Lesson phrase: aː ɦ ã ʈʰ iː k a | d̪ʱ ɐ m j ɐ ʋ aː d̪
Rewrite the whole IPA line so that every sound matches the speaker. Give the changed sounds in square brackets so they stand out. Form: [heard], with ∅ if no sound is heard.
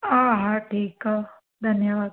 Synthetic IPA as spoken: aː ɦ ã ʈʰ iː k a | d̪ʱ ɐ [n] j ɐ ʋ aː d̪